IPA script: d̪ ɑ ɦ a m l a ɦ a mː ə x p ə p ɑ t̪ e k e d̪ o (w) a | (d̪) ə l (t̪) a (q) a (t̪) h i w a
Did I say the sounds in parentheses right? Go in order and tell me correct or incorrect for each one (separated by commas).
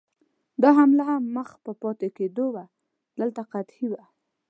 correct, correct, correct, correct, correct